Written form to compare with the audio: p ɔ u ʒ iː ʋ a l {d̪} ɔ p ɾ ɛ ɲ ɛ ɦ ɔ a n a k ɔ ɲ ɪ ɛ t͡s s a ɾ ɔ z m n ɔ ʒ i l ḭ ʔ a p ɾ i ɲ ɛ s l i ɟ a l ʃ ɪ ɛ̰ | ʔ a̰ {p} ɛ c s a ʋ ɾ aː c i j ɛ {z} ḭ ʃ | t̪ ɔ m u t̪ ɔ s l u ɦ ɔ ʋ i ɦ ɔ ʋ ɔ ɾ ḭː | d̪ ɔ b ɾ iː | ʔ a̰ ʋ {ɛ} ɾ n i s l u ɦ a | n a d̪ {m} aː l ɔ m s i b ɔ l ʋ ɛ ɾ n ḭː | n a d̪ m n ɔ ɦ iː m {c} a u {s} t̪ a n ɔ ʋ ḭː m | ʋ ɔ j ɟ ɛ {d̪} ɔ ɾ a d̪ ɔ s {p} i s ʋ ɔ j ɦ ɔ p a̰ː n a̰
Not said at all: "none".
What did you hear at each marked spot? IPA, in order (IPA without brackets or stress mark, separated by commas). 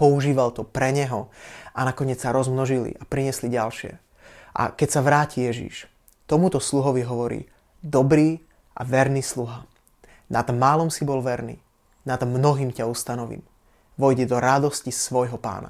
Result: t̪, k, ʒ, ɛ, m, c, s, d̪, c